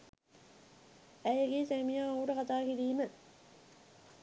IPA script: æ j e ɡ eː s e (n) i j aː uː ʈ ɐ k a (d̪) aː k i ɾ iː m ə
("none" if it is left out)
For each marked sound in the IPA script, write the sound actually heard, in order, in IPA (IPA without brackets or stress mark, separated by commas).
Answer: m, t̪